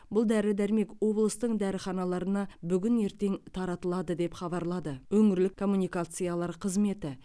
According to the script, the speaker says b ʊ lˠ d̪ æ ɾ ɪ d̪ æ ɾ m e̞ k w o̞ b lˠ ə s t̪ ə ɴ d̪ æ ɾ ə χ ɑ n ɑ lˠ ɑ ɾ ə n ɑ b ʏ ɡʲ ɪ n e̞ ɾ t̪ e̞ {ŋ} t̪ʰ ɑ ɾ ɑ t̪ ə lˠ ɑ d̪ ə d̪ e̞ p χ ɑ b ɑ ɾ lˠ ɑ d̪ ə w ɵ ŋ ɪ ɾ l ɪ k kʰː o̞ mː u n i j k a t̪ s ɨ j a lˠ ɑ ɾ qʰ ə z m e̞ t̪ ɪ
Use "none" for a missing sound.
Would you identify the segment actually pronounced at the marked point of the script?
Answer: ŋ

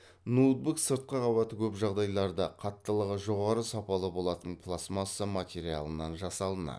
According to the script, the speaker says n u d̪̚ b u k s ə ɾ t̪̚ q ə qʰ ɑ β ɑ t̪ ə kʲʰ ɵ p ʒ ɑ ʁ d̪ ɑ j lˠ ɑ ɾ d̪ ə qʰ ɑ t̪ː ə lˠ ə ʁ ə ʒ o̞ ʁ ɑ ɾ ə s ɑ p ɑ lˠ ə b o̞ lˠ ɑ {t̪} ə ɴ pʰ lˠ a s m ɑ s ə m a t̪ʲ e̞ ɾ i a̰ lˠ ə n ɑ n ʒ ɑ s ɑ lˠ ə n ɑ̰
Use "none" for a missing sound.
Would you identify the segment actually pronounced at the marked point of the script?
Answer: t̪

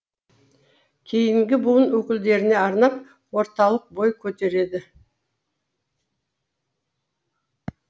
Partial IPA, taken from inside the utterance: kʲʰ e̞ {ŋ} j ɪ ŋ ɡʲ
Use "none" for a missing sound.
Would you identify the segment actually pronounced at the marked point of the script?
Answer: none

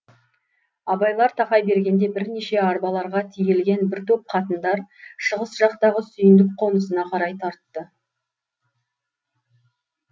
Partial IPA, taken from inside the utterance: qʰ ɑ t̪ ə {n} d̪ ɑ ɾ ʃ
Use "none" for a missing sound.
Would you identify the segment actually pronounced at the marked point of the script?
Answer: n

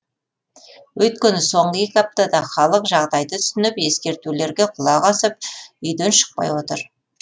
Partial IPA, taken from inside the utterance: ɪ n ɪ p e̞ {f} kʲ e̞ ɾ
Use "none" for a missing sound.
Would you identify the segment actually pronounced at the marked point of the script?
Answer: s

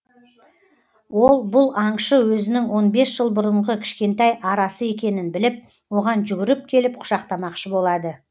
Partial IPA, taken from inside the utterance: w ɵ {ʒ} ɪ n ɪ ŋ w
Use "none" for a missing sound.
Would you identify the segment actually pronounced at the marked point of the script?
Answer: z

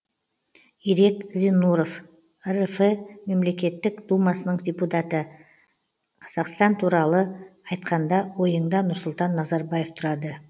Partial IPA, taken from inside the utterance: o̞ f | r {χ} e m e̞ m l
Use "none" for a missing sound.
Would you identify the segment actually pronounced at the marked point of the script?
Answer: f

